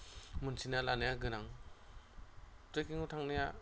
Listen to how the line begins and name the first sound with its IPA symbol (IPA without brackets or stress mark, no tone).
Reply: m